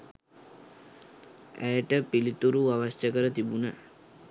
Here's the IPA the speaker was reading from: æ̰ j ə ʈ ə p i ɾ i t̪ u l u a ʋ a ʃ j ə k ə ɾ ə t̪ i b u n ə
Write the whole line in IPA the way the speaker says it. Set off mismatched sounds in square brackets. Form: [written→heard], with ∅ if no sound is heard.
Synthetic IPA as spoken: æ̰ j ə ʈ ə p i [ɾ→l] i t̪ u [l→ɾ] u a ʋ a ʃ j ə k ə ɾ ə t̪ i b u n ə